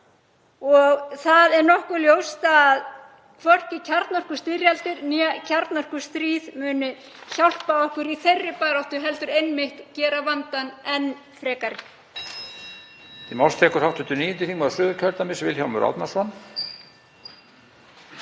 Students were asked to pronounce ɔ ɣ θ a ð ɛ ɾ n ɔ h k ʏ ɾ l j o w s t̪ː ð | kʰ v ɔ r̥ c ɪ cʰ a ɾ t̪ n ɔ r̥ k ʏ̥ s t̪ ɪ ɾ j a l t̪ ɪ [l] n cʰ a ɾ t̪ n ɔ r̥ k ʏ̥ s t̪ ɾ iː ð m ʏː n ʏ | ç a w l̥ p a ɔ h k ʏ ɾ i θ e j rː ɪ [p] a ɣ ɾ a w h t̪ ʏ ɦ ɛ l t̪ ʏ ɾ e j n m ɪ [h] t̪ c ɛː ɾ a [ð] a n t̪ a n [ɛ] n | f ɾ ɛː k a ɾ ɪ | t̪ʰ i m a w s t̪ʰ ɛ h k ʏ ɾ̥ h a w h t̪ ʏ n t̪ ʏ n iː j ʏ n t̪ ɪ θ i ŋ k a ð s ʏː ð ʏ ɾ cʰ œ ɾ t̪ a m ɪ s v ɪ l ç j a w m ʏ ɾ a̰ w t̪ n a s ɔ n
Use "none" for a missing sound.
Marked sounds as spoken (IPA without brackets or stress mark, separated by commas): ɾ, p, h, v, ɛ